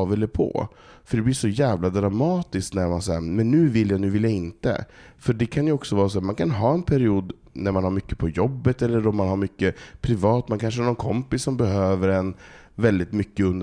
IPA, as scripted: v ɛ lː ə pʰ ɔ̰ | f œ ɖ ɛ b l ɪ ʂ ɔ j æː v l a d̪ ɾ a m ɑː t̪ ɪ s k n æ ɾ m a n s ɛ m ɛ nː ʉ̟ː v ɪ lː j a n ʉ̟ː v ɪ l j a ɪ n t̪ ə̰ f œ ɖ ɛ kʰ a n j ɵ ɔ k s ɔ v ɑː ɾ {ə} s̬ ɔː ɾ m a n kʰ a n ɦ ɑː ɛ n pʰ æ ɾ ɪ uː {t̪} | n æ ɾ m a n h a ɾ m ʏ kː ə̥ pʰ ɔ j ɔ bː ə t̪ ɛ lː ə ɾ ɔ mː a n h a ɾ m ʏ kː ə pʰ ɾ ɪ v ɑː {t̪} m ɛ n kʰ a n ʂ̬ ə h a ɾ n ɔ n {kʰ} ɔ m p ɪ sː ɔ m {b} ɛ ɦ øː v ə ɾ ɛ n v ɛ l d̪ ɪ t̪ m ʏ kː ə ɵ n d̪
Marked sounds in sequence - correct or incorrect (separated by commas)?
incorrect, incorrect, correct, correct, correct